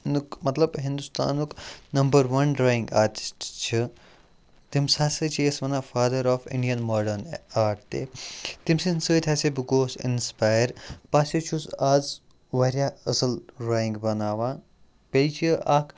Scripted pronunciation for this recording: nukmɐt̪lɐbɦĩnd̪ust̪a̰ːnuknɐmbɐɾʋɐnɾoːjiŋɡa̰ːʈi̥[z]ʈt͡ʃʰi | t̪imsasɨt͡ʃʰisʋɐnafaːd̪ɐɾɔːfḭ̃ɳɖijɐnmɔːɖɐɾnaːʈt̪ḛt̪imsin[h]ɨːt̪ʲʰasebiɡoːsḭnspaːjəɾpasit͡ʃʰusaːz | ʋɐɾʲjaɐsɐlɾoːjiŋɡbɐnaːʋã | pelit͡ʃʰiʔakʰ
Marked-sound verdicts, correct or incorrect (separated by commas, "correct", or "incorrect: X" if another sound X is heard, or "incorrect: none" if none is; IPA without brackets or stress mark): incorrect: s, incorrect: s